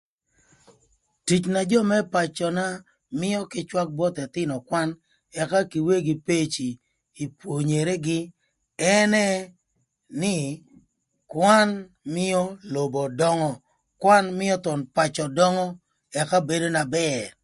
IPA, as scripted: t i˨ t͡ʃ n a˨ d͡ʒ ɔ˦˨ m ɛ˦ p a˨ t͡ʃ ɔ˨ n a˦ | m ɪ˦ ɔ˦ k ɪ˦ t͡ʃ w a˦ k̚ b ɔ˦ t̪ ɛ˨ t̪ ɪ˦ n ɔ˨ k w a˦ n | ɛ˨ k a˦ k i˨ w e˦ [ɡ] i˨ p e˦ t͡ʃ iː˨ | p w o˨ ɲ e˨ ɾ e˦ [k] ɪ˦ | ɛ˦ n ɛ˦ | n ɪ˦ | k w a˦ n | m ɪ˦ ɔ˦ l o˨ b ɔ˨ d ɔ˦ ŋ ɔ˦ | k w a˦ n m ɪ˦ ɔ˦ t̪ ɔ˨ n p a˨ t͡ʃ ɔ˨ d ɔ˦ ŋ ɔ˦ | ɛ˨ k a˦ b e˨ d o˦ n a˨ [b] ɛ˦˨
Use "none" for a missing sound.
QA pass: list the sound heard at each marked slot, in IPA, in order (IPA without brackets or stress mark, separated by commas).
ɡ, ɡ, b